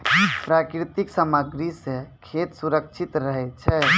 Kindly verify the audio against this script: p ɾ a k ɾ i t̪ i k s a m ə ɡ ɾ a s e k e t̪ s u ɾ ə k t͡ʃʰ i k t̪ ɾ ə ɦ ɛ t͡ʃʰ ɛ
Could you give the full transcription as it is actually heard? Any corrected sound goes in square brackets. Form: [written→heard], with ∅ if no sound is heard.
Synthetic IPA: p ɾ a k ɾ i t̪ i k s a m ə ɡ ɾ [a→i] s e [k→kʰ] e t̪ s u ɾ ə k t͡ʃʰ i [k→∅] t̪ ɾ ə ɦ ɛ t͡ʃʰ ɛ